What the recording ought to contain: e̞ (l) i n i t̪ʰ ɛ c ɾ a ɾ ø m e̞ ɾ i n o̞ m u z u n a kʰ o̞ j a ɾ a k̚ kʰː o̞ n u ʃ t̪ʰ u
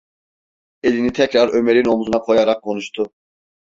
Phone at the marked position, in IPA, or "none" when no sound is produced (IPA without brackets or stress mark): l